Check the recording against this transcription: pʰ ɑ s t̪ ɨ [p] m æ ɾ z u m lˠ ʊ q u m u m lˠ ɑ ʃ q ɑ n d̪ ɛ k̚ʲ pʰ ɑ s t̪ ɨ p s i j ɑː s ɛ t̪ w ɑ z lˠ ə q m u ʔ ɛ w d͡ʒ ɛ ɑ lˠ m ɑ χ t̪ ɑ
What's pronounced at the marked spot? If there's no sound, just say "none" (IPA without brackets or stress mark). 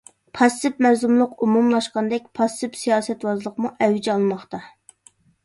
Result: p